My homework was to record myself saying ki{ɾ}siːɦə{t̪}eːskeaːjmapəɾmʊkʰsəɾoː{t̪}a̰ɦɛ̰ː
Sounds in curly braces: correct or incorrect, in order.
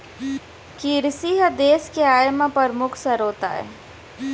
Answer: correct, incorrect: d̪, correct

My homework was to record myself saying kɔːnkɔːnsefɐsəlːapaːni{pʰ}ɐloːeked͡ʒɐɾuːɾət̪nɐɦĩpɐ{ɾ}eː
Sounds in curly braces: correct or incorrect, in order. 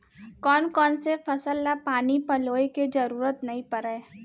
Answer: incorrect: p, correct

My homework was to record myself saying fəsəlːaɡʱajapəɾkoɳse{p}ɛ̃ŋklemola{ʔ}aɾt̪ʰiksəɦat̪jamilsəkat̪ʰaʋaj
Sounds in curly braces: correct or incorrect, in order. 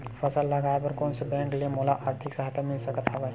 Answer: incorrect: b, correct

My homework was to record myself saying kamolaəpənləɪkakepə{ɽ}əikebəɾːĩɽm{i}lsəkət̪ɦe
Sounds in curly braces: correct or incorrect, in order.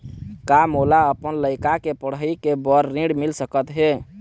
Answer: correct, correct

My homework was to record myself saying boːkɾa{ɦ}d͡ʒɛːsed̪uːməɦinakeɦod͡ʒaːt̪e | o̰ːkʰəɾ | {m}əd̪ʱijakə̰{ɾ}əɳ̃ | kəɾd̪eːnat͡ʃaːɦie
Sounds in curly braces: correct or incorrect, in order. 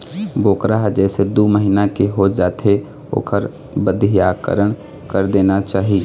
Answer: correct, incorrect: b, correct

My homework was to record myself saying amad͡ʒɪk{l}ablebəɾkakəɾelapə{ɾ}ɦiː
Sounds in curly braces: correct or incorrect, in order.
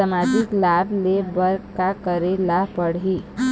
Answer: correct, incorrect: ɽ

